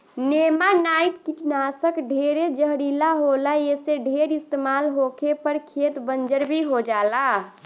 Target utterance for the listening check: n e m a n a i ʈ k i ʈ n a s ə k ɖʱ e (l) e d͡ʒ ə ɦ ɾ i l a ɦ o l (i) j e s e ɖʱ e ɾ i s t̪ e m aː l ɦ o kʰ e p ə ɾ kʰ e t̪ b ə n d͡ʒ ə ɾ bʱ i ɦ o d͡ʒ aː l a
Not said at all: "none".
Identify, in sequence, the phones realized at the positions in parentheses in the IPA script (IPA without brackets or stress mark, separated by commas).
ɾ, a